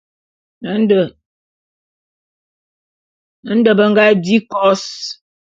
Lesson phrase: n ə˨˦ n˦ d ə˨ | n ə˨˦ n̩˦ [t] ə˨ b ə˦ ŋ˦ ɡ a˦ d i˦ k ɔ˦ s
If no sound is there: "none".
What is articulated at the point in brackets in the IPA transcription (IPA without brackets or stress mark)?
d